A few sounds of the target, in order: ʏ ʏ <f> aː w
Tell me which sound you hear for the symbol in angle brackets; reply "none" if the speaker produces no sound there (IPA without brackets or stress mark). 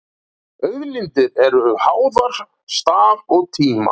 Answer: h